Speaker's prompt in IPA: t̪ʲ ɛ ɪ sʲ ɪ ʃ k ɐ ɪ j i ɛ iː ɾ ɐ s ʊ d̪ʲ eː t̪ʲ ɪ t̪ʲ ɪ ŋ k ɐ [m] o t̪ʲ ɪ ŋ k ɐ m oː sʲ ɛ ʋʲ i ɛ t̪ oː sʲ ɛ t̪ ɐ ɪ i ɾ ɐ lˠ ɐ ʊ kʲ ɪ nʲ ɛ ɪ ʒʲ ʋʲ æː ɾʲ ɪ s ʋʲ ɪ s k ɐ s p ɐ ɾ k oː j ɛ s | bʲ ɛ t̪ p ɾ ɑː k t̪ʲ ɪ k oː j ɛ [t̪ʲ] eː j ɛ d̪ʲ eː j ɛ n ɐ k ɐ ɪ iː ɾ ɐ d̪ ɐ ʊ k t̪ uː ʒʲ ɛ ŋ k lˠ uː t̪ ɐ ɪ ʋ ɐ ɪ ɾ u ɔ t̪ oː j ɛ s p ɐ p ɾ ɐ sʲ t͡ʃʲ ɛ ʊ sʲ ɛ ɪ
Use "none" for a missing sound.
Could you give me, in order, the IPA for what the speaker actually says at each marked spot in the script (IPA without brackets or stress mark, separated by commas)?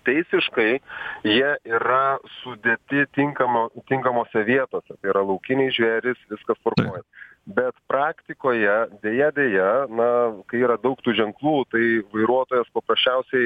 m, d̪ʲ